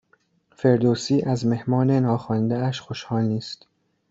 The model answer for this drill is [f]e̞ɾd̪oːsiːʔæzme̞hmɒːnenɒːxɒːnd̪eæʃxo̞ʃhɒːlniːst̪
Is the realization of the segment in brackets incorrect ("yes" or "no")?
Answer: no